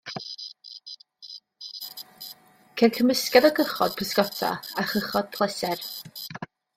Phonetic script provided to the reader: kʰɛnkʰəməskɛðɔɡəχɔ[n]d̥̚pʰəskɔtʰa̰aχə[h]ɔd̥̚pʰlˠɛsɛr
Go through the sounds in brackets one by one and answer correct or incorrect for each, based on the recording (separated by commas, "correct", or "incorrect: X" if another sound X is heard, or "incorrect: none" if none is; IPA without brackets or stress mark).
incorrect: none, incorrect: χ